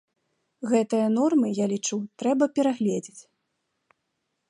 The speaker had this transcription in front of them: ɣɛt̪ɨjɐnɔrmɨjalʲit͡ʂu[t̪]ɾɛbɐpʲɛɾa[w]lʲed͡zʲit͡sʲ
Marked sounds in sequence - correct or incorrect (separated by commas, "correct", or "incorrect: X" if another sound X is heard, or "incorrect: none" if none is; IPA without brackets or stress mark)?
correct, incorrect: ɣ